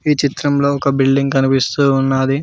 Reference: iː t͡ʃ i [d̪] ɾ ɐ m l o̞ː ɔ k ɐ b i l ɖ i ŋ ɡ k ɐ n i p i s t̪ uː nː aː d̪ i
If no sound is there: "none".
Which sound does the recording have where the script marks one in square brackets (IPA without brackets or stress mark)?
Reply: t̪